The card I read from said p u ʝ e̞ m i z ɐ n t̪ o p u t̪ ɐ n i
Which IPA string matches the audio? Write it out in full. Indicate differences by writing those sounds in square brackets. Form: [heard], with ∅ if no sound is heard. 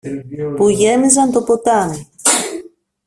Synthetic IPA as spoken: p u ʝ e̞ m i z ɐ n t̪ o p [o] t̪ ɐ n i